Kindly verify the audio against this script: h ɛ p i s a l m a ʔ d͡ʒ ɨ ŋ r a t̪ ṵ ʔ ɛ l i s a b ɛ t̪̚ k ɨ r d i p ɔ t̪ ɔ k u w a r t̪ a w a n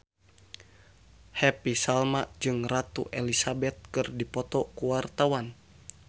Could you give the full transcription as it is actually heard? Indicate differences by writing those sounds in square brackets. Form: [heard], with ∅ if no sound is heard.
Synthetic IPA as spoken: h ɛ p i s a l m a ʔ d͡ʒ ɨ ŋ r a t̪ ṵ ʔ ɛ l i s a b ɛ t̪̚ k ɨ r d i p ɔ t̪ ɔ k u w a r t̪ a w a n

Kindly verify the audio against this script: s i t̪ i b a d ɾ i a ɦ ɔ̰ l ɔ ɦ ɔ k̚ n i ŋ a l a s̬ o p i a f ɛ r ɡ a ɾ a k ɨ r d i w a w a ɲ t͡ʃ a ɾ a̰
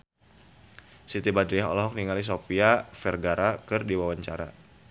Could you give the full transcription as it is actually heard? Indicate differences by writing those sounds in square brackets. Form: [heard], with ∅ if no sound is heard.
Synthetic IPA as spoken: s i t̪ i b a d ɾ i a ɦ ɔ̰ l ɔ ɦ ɔ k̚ n i ŋ a l [i] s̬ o p i a f ɛ r ɡ a ɾ a k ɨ r d i w a w a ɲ t͡ʃ a ɾ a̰

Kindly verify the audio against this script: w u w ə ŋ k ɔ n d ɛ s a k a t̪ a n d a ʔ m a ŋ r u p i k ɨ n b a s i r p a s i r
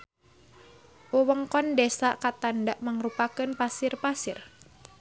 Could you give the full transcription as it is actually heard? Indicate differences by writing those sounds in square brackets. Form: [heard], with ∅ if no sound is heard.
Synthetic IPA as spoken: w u w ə ŋ k ɔ n d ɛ s a k a t̪ a n d a ʔ m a ŋ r u p [a] k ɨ n [p] a s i r p a s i r

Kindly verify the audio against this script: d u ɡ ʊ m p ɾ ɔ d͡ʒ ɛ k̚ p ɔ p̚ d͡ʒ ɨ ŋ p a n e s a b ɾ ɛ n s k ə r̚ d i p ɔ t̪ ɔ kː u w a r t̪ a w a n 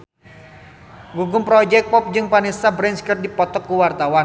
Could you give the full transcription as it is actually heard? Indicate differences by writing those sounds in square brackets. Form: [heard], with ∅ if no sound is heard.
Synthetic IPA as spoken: [ɡ] u ɡ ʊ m p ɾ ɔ d͡ʒ ɛ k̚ p ɔ p̚ d͡ʒ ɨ ŋ p a n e s a b ɾ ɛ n s k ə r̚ d i p ɔ t̪ ɔ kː u w a r t̪ a w a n

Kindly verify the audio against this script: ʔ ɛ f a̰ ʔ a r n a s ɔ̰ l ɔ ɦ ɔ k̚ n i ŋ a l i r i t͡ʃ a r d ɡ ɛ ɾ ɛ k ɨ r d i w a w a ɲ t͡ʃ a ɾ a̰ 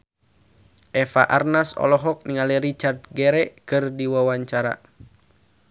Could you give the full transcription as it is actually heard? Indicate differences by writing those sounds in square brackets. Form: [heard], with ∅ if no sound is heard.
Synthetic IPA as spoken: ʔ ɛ f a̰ ʔ a r n a s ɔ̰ l ɔ ɦ ɔ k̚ n i ŋ a l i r i t͡ʃ a r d ɡ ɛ ɾ ɛ k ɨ r d i w a w a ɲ t͡ʃ a ɾ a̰

